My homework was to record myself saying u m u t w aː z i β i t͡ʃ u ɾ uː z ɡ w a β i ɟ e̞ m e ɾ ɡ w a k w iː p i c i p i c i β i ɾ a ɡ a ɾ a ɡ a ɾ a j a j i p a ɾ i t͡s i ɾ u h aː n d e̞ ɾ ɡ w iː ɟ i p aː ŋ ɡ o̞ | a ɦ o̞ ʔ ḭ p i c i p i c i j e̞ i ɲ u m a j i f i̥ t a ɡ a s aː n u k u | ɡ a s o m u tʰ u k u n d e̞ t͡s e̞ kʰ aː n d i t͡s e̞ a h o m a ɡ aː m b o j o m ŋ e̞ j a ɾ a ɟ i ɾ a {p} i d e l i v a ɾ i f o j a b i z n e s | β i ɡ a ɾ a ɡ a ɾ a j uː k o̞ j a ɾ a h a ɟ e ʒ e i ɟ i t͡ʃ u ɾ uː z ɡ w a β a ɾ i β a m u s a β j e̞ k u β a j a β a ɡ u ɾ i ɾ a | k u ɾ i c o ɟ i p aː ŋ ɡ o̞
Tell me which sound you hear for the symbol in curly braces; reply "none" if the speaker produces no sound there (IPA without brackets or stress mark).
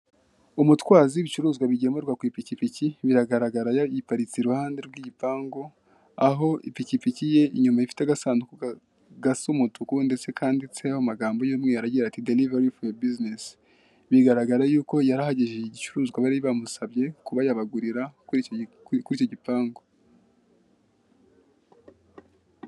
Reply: t